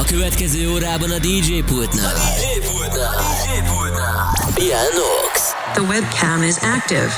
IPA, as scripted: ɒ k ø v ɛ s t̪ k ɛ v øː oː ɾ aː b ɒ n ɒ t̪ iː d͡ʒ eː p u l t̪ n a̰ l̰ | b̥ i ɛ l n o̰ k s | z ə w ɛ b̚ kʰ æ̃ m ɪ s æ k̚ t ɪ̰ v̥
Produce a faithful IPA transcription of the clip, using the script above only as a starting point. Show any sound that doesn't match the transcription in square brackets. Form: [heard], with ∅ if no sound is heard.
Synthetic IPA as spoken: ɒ k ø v ɛ [∅] t̪ k ɛ [z] øː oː ɾ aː b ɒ n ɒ [d̪] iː d͡ʒ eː p u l t̪ n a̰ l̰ | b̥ i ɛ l n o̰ k s | [ð] ə w ɛ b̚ kʰ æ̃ m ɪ [z] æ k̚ t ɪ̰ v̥